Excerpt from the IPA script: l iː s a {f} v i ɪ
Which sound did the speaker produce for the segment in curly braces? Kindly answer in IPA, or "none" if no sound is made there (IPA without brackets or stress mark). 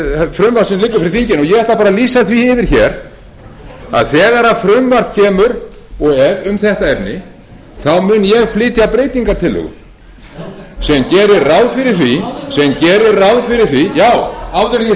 θ